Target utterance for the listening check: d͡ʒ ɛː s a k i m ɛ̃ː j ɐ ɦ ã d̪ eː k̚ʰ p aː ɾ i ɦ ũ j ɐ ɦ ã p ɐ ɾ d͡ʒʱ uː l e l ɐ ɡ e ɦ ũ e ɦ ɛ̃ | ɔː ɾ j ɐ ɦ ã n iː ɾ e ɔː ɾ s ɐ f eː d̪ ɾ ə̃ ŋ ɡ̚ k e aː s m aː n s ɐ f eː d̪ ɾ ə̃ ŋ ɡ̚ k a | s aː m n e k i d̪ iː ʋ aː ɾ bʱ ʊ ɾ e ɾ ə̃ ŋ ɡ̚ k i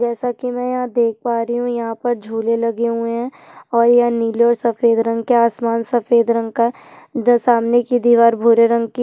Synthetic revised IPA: d͡ʒ ɛː s a k i m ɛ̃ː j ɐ ɦ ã d̪ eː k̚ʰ p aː ɾ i ɦ ũ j ɐ ɦ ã p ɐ ɾ d͡ʒʱ uː l e l ɐ ɡ e ɦ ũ e ɦ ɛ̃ | ɔː ɾ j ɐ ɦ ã n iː l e ɔː ɾ s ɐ f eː d̪ ɾ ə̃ ŋ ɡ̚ k e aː s m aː n s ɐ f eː d̪ ɾ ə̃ ŋ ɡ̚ k a | s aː m n e k i d̪ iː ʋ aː ɾ bʱ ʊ ɾ e ɾ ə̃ ŋ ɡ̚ k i